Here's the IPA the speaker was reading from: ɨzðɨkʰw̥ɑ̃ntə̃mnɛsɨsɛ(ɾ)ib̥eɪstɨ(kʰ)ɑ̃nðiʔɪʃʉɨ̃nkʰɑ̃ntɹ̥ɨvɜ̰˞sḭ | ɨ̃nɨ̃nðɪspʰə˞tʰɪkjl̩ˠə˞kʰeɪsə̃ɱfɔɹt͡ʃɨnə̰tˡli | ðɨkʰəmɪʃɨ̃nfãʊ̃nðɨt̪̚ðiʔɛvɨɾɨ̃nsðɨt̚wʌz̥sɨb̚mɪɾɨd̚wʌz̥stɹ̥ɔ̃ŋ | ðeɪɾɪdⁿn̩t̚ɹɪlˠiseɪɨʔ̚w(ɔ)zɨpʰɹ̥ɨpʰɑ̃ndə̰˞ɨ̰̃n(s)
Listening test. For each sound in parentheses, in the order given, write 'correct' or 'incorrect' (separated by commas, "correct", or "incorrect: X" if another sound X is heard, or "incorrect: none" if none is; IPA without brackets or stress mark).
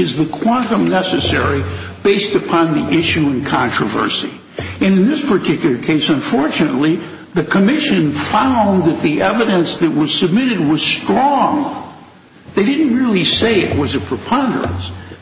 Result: incorrect: ɹ, incorrect: pʰ, incorrect: ʌ, correct